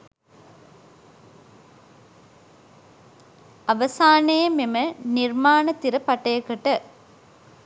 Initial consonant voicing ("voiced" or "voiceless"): voiced